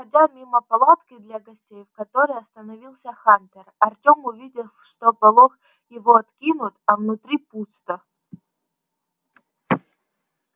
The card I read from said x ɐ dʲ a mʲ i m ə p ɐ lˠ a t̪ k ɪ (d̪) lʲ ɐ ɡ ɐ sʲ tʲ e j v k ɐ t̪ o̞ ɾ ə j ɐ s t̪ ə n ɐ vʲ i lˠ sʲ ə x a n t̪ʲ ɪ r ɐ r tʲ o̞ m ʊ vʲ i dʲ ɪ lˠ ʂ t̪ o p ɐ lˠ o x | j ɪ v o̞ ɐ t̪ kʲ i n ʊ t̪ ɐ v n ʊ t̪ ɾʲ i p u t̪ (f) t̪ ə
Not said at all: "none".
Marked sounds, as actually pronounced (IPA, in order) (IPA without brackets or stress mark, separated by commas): d̪, s